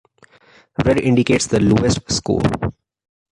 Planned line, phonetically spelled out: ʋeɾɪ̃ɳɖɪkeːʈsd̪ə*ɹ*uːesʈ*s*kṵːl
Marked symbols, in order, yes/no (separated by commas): no, yes